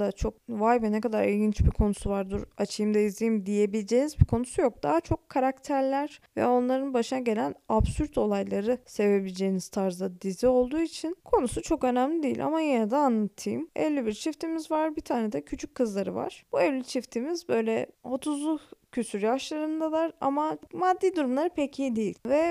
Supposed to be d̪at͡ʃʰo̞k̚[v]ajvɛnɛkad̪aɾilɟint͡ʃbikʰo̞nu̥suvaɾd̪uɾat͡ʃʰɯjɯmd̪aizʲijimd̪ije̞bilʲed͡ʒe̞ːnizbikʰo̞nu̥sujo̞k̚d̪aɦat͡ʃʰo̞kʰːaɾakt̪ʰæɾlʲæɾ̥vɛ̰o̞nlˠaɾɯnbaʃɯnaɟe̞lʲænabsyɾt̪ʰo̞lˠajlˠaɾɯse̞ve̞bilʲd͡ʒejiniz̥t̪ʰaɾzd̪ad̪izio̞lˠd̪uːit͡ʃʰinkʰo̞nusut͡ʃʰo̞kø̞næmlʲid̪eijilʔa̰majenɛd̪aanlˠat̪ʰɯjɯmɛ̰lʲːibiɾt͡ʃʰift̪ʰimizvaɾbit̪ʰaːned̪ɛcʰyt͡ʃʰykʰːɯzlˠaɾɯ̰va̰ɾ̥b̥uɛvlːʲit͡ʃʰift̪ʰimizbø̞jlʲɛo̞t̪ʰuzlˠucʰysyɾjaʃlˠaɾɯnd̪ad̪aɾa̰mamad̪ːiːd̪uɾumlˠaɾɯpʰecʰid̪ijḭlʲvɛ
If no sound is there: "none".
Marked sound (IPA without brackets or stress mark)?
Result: v